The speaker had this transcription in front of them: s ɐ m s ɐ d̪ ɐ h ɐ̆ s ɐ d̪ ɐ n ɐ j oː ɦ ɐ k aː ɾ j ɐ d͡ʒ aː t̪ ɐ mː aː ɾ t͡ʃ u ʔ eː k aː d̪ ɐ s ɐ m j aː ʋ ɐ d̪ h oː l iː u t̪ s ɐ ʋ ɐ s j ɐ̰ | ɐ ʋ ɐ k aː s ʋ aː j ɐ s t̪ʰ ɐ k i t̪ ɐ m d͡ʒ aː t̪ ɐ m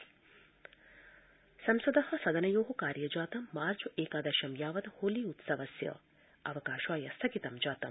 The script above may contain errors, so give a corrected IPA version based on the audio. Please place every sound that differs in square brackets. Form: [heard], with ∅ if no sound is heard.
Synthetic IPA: s ɐ m s ɐ d̪ ɐ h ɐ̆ s ɐ d̪ ɐ n ɐ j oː ɦ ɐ k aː ɾ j ɐ d͡ʒ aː t̪ ɐ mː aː ɾ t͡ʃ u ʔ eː k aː d̪ ɐ [ʃ] ɐ m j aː ʋ ɐ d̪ h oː l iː u t̪ s ɐ ʋ ɐ s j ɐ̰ | ɐ ʋ ɐ k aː [ʃ] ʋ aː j ɐ s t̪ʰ ɐ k i t̪ ɐ m d͡ʒ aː t̪ ɐ m